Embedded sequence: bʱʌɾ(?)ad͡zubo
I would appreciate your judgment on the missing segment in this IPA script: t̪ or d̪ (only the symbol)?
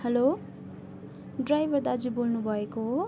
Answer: d̪